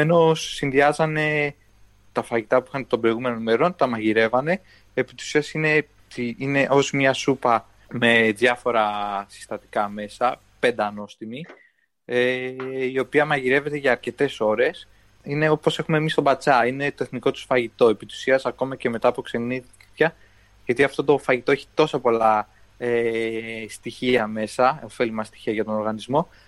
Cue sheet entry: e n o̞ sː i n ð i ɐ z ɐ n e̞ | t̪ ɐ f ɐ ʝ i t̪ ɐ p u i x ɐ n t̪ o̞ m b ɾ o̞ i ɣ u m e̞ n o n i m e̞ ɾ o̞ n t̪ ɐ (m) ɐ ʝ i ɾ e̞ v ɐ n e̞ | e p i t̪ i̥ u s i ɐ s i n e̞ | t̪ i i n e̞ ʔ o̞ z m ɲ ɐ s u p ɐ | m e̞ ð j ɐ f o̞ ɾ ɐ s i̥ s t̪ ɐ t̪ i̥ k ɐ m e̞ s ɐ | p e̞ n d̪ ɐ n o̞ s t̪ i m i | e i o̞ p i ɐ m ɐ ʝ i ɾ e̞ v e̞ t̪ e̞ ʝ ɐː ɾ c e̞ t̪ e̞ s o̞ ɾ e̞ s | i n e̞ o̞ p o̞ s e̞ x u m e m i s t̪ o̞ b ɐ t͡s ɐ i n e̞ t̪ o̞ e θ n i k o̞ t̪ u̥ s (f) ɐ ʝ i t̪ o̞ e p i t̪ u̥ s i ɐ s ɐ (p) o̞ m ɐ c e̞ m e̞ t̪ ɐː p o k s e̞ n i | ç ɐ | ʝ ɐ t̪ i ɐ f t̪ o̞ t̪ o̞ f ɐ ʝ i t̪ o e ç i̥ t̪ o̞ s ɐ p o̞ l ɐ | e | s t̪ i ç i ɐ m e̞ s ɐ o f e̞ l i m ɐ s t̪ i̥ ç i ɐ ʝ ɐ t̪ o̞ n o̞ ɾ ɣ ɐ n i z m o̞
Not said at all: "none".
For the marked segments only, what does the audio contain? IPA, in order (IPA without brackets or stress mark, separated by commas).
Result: m, f, k